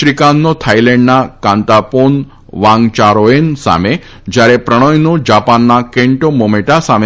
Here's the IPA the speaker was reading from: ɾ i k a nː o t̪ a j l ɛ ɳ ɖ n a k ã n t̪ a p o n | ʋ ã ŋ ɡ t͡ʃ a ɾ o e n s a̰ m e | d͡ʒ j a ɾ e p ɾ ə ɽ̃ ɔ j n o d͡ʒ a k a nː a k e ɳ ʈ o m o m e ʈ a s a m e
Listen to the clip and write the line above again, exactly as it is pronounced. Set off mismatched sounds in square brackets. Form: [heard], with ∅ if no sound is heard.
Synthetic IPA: ɾ i k a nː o [t̪ʰ] a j l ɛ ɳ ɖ n a k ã n t̪ a p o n | ʋ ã ŋ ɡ t͡ʃ a ɾ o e n s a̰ m e | d͡ʒ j a ɾ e p ɾ ə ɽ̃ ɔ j n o d͡ʒ a [p] a nː a k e ɳ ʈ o m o m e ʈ a s a m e